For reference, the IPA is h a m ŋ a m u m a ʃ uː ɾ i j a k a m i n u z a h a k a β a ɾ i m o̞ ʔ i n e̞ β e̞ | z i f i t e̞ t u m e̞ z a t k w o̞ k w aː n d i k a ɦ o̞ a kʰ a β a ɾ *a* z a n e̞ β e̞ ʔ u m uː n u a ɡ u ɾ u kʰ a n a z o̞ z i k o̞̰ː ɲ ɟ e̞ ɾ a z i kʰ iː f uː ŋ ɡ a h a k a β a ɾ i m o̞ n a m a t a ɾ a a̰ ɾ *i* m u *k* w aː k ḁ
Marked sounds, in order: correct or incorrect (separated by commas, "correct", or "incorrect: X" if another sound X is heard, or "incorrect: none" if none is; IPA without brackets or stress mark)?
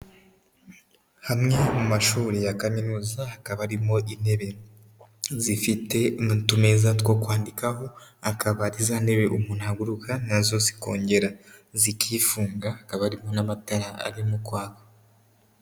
incorrect: i, correct, correct